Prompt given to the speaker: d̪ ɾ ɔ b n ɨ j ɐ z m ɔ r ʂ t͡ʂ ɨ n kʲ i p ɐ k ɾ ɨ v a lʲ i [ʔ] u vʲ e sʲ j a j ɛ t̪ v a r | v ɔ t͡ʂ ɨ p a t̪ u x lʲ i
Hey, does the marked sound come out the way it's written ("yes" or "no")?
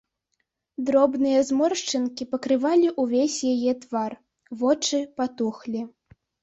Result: yes